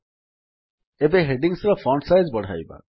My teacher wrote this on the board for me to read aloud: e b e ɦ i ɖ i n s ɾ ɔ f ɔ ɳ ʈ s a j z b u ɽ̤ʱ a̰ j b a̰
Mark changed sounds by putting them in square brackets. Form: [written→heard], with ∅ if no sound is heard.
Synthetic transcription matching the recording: e b e ɦ [i→e] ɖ i [n→ŋ] s ɾ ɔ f ɔ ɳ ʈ s a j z b [u→ɔ] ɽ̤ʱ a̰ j b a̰